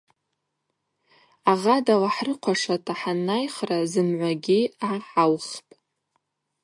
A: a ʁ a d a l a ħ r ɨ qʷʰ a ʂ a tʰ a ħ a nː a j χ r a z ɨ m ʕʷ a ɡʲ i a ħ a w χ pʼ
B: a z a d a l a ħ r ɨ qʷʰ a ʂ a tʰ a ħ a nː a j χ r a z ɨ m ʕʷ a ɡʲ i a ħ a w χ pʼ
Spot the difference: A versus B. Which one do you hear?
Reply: A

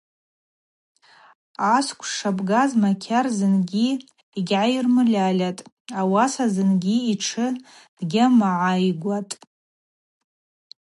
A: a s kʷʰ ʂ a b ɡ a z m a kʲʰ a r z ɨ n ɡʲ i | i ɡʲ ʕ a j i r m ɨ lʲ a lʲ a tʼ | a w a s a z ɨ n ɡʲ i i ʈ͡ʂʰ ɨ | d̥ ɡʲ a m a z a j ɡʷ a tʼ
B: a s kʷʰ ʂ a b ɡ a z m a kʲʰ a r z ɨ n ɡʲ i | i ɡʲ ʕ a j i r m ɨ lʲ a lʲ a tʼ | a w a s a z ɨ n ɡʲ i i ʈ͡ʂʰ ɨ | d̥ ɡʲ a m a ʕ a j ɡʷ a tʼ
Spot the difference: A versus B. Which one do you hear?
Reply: B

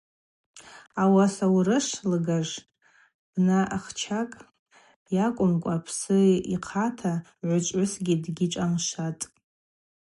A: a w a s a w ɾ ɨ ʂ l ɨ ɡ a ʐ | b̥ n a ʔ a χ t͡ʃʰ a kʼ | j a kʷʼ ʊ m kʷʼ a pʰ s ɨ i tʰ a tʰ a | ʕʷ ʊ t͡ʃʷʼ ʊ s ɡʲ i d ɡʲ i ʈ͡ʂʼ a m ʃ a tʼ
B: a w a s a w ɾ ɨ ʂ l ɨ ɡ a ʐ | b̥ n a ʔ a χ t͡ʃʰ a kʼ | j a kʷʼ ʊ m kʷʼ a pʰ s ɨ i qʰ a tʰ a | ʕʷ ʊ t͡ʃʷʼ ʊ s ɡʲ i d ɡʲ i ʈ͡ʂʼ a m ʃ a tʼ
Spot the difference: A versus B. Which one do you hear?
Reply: B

